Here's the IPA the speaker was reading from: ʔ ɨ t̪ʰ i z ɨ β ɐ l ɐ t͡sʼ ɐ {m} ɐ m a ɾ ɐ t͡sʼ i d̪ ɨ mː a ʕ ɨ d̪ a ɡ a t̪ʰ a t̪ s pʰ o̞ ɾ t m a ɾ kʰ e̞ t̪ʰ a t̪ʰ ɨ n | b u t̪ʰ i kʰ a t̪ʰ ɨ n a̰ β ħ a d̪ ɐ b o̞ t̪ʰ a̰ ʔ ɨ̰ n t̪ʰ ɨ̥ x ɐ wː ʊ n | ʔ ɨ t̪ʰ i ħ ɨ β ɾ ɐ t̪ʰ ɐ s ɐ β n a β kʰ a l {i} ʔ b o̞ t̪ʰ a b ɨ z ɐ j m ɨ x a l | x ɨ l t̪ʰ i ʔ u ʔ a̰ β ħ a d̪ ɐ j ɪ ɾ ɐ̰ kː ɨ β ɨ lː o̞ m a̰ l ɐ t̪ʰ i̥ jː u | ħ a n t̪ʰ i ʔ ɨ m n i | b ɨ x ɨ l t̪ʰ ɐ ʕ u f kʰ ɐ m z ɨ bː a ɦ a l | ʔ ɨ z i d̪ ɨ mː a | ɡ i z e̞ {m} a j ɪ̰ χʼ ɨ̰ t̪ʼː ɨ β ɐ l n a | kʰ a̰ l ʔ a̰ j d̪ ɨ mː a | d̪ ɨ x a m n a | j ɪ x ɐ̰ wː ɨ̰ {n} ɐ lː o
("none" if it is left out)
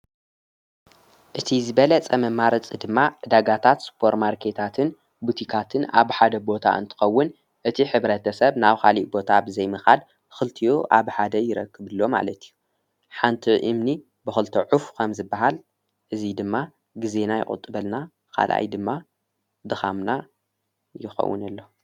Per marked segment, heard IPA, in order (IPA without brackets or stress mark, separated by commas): m, i, n, n